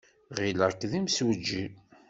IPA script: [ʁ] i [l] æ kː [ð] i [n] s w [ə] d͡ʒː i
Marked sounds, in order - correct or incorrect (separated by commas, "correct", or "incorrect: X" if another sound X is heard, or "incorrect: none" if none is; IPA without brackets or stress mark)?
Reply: correct, correct, correct, incorrect: m, correct